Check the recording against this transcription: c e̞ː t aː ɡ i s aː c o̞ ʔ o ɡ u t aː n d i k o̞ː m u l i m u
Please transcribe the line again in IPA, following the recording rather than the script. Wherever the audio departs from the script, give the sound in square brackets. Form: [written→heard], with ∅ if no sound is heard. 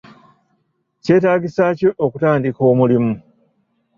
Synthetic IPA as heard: c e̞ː t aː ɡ i s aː c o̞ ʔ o [ɡ→k] u t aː n d i k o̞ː m u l i m u